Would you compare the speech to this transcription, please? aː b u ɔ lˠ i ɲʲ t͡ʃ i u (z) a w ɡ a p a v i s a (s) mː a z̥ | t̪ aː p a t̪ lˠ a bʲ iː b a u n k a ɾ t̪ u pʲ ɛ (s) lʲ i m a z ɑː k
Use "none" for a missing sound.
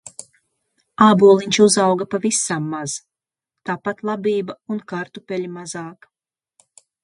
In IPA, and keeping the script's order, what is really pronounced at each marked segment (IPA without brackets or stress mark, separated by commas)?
z, none, none